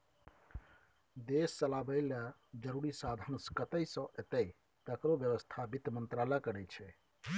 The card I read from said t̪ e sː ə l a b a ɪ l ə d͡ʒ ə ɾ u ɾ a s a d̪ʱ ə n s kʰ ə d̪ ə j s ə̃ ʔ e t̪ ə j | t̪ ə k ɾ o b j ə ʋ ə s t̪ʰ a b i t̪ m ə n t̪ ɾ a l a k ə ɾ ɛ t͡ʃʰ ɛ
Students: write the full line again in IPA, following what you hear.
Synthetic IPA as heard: d̪ e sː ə l a b ə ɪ l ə d͡ʒ ə ɾ u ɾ i s a d̪ʱ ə n s k ə t̪ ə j s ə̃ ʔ e t̪ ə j | t̪ ə k ɾ o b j ə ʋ ə s t̪ʰ a b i t̪ m ə n t̪ ɾ a l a k ə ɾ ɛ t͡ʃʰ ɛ

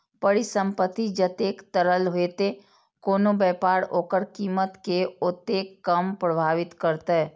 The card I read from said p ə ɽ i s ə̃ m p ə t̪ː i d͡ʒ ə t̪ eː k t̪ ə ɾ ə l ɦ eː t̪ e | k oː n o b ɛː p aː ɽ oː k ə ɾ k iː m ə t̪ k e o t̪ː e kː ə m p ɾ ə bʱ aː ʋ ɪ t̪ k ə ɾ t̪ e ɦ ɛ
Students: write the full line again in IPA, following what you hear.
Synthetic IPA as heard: p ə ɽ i s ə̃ m p ə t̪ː i d͡ʒ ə t̪ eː k t̪ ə ɾ ə l ɦ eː t̪ e | k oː n o b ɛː p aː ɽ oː k ə ɾ k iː m ə t̪ k e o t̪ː e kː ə m p ɾ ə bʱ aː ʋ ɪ t̪ k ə ɾ t̪ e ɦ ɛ

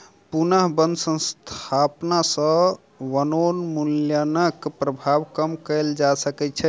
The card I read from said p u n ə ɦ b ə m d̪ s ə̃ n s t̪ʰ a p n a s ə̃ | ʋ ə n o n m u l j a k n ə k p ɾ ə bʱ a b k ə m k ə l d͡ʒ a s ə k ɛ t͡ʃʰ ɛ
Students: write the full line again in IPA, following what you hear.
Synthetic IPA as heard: p u n ə ɦ b ə n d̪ s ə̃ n s t̪ʰ a p n a s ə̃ | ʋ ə n o n m u l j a n ə k p ɾ ə bʱ a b k ə m k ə l d͡ʒ a s ə k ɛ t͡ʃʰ ɛ

